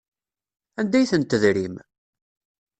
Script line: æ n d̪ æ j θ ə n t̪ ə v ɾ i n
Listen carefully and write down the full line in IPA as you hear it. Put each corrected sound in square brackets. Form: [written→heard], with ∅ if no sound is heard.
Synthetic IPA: æ n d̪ æ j θ ə n t̪ ə [v→ð] ɾ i [n→m]